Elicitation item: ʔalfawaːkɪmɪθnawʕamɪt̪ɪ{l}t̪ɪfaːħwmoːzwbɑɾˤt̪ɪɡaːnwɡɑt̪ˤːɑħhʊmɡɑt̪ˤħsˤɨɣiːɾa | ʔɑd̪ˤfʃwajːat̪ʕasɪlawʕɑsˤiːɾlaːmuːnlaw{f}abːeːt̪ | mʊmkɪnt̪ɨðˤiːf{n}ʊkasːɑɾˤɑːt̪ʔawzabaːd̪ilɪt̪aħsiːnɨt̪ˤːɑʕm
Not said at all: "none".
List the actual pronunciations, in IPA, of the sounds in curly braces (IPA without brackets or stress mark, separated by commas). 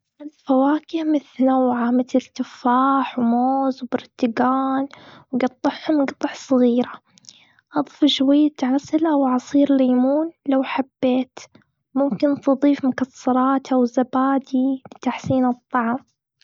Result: l, ħ, m